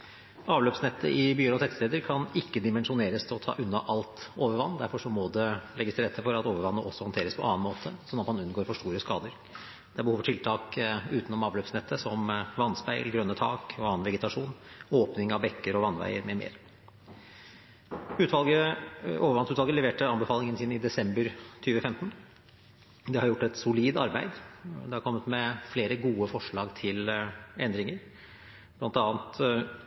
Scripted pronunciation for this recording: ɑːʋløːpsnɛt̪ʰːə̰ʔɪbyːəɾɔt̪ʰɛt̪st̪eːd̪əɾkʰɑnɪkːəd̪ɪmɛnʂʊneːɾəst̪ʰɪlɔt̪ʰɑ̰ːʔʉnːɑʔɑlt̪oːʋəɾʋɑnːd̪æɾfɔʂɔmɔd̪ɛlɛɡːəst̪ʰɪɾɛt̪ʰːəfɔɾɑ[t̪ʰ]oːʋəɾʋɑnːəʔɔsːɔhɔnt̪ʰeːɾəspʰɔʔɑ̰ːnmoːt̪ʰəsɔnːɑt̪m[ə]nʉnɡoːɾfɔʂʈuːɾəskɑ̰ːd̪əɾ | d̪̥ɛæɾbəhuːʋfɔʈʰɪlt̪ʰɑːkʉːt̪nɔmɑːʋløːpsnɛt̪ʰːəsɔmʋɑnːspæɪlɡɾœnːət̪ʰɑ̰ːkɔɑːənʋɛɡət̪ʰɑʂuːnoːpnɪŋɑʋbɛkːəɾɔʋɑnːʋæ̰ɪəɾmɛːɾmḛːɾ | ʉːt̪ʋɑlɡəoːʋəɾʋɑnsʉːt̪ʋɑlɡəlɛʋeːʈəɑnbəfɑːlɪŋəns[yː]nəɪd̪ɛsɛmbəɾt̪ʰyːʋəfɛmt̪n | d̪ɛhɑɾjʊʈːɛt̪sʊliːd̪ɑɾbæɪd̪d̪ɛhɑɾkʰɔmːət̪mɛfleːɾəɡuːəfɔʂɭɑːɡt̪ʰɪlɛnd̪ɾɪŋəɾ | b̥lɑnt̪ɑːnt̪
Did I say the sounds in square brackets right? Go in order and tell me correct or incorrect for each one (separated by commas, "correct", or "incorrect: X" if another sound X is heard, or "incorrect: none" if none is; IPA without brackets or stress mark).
incorrect: t̪, incorrect: ɑ, incorrect: iː